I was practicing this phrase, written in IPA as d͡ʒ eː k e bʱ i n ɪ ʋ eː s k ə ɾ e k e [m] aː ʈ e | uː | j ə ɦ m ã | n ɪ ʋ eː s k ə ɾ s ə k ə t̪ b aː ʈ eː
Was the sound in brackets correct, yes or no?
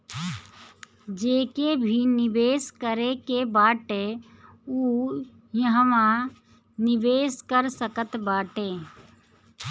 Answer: no